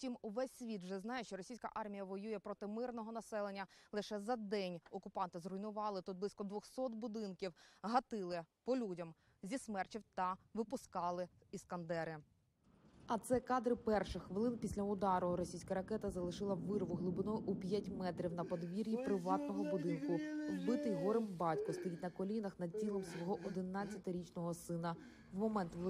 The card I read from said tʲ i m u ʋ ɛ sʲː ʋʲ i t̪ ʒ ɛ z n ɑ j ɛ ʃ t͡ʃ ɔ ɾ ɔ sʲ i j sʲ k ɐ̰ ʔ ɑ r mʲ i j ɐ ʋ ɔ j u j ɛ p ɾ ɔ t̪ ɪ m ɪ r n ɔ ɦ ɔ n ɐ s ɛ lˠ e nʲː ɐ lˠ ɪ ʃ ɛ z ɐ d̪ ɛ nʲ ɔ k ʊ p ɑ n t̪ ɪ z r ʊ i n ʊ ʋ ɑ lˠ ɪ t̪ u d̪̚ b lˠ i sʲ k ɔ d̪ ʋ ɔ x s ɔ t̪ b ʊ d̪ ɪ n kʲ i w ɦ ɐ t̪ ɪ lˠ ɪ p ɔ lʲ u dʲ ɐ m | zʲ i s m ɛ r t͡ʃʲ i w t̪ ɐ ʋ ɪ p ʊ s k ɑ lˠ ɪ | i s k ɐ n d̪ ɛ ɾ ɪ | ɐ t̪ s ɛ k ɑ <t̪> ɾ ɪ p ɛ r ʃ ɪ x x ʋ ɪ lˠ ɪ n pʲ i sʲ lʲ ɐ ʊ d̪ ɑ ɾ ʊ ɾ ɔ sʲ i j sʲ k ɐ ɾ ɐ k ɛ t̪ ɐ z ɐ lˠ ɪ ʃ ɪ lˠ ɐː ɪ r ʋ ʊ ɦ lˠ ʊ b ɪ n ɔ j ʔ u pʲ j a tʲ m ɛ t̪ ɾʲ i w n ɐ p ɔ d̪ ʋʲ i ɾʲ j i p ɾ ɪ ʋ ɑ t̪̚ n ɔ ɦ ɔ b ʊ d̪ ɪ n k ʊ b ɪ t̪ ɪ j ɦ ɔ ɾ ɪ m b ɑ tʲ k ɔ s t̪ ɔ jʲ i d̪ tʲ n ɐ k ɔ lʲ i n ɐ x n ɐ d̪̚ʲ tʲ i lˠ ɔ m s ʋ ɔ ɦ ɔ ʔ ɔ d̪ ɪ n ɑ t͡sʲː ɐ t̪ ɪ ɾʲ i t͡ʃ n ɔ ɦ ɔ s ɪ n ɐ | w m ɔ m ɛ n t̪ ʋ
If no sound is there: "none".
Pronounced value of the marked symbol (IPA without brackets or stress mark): d̪